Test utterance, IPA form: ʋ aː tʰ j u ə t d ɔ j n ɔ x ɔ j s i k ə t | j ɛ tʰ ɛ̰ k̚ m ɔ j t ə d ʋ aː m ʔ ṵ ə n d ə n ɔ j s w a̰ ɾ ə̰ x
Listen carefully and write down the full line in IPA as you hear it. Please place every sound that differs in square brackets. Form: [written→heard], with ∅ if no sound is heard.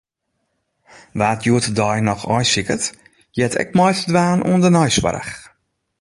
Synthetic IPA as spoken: ʋ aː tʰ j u ə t d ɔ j n ɔ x ɔ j s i k ə t | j ɛ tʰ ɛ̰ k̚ m ɔ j t ə d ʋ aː [m→n] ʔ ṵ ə n d ə n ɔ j s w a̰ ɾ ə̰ x